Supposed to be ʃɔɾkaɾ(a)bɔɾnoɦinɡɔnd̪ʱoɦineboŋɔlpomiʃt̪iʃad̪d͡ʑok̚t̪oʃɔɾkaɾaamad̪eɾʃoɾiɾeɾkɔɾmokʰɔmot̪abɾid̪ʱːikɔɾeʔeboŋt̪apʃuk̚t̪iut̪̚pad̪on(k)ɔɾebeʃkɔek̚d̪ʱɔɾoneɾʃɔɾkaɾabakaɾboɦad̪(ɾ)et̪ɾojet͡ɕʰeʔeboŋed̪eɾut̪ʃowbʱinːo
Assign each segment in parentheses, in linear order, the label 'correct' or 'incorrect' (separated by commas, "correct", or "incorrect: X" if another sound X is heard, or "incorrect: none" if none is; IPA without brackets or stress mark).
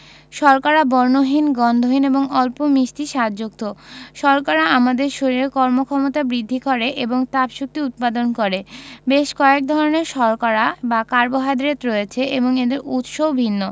correct, correct, correct